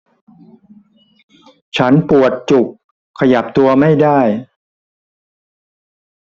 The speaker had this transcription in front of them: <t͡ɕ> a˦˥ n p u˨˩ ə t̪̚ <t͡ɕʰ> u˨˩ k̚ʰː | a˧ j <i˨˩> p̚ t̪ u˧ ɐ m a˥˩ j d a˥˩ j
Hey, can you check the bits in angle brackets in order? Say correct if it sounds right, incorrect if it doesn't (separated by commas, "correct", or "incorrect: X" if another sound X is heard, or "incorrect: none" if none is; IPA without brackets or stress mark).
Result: incorrect: t͡ɕʰ, incorrect: t͡ɕ, incorrect: a˨˩